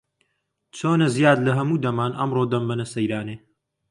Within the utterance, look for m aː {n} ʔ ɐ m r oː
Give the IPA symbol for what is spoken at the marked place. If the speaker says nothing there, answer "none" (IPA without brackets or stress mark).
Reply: n